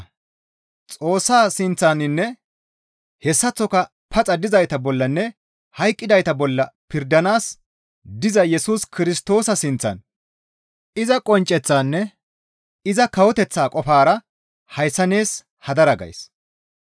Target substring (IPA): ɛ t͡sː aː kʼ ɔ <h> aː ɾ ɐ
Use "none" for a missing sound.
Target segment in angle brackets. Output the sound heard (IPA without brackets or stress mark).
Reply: f